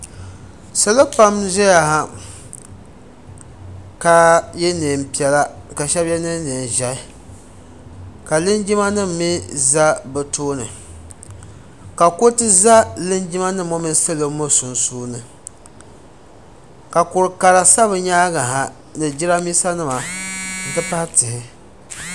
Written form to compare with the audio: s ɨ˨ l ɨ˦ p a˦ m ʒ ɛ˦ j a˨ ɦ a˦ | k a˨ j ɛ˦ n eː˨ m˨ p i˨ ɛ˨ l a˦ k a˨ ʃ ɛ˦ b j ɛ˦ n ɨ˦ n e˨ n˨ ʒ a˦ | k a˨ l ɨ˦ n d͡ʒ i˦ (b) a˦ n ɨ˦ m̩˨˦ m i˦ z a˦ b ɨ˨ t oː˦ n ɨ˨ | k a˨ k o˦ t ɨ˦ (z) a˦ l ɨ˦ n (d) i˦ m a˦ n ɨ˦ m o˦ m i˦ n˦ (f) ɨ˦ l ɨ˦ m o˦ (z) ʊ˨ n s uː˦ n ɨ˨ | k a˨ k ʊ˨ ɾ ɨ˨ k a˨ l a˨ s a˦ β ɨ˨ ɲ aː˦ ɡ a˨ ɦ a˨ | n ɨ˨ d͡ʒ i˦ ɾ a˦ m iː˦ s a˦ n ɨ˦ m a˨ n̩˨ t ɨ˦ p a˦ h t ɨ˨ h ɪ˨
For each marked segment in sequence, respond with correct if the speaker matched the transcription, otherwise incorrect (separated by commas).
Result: incorrect, correct, incorrect, incorrect, incorrect